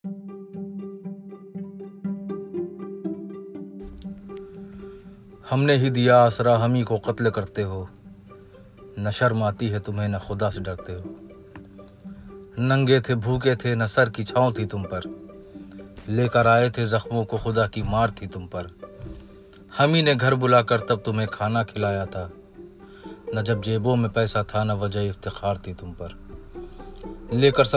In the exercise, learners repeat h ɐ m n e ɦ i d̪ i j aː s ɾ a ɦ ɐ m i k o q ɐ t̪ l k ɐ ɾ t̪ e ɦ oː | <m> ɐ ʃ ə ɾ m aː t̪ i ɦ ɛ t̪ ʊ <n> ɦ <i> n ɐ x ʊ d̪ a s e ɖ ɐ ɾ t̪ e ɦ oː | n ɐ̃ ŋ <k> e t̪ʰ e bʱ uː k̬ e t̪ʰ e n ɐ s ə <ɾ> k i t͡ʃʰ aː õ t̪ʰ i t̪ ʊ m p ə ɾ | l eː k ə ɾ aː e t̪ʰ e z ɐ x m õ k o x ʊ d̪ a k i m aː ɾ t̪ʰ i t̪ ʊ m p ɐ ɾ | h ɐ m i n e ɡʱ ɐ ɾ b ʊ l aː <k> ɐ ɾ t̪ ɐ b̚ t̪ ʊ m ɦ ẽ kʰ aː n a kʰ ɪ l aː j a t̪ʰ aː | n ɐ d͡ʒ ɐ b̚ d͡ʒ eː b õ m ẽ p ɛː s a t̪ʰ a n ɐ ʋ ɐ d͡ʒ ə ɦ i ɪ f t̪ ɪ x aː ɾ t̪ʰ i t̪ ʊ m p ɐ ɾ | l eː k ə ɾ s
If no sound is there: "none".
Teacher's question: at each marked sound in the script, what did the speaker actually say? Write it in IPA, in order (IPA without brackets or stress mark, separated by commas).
n, m, e, ɡ, ɾ, k